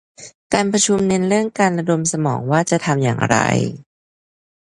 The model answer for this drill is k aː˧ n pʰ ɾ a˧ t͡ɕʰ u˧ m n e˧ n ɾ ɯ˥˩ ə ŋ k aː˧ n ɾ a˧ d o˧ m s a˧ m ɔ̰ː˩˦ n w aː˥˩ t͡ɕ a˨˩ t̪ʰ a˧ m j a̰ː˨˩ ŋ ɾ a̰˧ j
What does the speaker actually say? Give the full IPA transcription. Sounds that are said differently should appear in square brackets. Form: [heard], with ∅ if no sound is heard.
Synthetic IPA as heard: k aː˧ n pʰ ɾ a˧ t͡ɕʰ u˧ m n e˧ n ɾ ɯ˥˩ ə ŋ k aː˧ n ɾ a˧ d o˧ m s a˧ m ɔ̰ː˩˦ [ŋ] w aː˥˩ t͡ɕ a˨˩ t̪ʰ a˧ m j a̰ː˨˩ ŋ ɾ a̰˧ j